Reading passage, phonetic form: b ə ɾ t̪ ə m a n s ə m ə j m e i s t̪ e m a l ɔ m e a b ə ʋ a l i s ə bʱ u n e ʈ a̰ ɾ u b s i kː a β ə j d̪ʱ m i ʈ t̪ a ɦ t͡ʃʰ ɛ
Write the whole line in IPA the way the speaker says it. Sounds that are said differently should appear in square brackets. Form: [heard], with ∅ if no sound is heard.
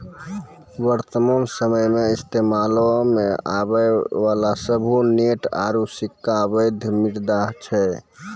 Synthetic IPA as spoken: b ə ɾ t̪ ə m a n s ə m ə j m e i s t̪ e m a l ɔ m e a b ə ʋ a l [a] s ə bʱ u n e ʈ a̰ ɾ u [∅] s i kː a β ə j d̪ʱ m i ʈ [d̪] a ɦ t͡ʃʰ ɛ

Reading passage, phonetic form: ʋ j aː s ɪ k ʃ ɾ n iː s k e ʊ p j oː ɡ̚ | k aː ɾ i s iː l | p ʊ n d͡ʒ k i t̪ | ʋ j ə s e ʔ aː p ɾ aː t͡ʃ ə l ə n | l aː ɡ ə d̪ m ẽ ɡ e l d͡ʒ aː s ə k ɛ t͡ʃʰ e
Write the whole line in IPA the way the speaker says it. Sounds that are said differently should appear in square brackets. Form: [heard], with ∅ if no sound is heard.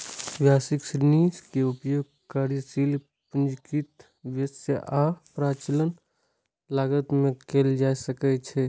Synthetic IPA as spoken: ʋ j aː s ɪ k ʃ ɾ n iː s k e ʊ p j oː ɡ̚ | k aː ɾ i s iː l | p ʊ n d͡ʒ k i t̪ | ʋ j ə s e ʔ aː p ɾ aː t͡ʃ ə l ə n | l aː ɡ ə [t̪] m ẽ [k] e l d͡ʒ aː s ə k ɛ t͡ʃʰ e

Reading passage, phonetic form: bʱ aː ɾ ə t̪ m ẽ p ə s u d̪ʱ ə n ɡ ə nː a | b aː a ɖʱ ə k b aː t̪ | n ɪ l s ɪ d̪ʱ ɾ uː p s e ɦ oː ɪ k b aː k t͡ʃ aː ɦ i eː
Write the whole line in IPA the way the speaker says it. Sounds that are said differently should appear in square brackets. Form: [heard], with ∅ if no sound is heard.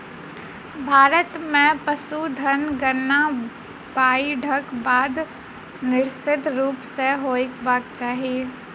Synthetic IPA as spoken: bʱ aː ɾ ə t̪ m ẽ p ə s u d̪ʱ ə n ɡ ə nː a | b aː [i] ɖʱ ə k b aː [d̪] | n ɪ [ɾ] s ɪ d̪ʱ ɾ uː p s e ɦ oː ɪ k b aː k t͡ʃ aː ɦ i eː

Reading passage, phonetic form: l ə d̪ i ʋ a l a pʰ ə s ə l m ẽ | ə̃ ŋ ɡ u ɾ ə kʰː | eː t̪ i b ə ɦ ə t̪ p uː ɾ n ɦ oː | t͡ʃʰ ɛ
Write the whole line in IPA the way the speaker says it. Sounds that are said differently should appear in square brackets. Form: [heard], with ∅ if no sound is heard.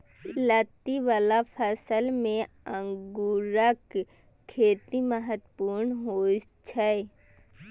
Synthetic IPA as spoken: l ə [t̪] i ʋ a l a pʰ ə s ə l m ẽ | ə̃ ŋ ɡ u ɾ ə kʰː | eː t̪ i [m] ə ɦ ə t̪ p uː ɾ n ɦ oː | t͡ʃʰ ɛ

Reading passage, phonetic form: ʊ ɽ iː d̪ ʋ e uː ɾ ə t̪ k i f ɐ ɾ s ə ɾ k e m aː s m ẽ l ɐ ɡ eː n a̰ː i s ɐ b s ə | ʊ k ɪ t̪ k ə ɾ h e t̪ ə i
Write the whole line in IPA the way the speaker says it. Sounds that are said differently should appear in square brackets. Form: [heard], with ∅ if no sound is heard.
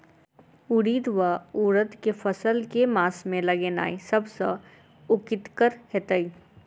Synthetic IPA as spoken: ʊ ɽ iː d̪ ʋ [a] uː ɾ ə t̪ k [e] f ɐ [∅] s ə [l] k e m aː s m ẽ l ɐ ɡ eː n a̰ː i s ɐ b s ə | ʊ k ɪ t̪ k ə ɾ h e t̪ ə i

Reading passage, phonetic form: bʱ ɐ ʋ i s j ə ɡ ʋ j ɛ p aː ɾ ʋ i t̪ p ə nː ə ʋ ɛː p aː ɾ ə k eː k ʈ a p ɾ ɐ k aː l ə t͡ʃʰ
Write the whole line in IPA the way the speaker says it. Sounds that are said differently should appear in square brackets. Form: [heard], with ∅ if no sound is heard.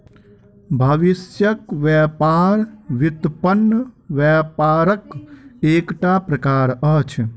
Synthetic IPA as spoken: bʱ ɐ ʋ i s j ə [k] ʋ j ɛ p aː ɾ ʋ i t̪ p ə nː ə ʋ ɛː p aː ɾ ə k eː k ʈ a p ɾ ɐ k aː [ɾ] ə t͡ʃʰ

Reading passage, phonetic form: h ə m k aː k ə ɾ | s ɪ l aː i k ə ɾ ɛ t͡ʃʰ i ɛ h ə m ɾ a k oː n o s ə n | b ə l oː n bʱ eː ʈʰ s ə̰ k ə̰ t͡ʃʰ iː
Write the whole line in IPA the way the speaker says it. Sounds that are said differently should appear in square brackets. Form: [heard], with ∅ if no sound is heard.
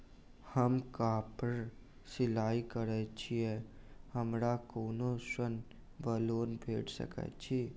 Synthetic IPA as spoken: h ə m k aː [p] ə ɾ | s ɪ l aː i k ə ɾ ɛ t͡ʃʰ i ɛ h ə m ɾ a k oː n o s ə n | b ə l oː n bʱ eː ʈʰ s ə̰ k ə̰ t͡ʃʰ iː

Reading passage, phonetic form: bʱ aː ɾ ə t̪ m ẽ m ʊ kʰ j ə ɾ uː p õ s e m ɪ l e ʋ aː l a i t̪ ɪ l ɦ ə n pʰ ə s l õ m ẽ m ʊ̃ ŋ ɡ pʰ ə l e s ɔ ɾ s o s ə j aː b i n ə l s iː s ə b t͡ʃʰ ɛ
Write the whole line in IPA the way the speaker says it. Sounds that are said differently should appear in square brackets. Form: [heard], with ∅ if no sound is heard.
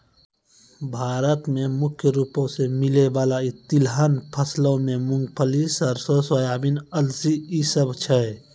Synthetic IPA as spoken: bʱ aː ɾ ə t̪ m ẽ m ʊ kʰ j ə ɾ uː p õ s e m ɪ l e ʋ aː l a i t̪ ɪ l ɦ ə n pʰ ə s l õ m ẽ m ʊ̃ ŋ ɡ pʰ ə l [i] s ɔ ɾ s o s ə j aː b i n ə l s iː s ə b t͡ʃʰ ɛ

